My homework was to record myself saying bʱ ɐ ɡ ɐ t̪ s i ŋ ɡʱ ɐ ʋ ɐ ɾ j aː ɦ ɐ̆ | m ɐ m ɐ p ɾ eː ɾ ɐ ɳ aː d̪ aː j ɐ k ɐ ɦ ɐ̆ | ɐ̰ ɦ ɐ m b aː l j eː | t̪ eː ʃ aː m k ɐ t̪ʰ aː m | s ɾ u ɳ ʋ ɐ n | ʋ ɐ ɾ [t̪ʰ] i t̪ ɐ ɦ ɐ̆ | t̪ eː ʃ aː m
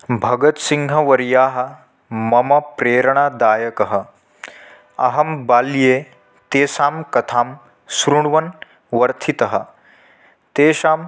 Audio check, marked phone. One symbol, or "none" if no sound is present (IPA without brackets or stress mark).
t̪ʰ